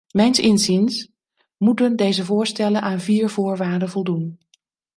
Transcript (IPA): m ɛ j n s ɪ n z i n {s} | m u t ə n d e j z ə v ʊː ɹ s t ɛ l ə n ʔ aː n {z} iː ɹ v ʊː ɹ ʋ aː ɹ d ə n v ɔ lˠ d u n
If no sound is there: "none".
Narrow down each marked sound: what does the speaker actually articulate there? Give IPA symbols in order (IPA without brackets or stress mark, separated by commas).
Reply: s, v